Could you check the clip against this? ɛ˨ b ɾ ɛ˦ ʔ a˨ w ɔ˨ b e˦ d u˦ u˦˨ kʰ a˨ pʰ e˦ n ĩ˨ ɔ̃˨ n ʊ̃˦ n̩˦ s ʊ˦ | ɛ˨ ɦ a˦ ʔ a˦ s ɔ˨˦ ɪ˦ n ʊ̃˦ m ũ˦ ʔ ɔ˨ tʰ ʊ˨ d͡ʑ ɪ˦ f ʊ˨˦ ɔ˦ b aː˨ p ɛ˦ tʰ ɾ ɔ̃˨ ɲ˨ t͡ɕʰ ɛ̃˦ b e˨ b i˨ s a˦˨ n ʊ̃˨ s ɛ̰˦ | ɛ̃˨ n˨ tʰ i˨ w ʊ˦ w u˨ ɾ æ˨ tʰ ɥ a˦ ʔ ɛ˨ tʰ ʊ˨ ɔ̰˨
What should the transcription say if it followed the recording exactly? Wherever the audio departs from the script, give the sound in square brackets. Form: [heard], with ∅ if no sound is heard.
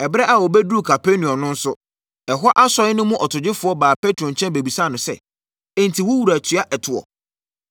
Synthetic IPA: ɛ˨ b ɾ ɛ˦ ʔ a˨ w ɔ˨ b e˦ d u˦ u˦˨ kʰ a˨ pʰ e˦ n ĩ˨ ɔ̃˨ n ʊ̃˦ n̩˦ s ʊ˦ | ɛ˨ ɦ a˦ ʔ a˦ s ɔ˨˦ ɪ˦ n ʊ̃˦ m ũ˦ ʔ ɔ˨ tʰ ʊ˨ d͡ʑ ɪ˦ f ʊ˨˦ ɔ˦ b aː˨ p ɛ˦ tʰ ɾ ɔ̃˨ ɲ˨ t͡ɕʰ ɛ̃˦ b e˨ b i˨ s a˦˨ n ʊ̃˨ s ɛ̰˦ | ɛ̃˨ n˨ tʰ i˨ w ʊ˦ w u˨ ɾ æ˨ tʰ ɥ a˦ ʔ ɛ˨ tʰ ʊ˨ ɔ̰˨